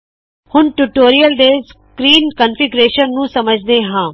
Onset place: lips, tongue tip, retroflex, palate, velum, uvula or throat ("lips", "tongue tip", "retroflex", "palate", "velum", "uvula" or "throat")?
throat